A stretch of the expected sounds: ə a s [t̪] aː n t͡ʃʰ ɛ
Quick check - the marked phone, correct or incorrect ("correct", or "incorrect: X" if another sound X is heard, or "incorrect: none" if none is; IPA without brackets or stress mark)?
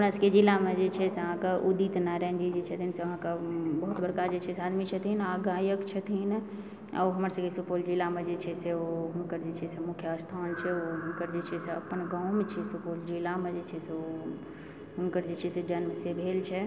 incorrect: t̪ʰ